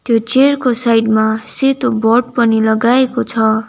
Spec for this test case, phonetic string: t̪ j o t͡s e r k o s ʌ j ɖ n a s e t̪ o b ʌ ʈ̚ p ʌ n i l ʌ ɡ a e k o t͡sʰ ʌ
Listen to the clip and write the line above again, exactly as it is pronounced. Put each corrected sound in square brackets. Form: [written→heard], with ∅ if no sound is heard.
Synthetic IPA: t̪ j o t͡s e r k o s [ʌ→a] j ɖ [n→m] a s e t̪ o b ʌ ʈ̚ p ʌ n i l ʌ ɡ a e k o t͡sʰ ʌ